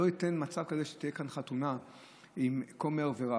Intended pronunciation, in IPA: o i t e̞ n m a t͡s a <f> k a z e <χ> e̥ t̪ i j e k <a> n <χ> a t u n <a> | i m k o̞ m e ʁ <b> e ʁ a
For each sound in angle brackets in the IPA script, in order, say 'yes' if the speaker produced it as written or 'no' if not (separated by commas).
no, no, yes, yes, yes, no